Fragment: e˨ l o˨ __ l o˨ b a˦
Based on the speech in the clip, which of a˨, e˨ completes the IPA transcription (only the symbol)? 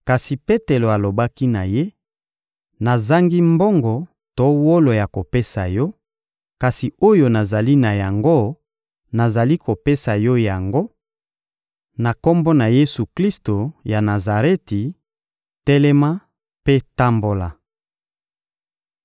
a˨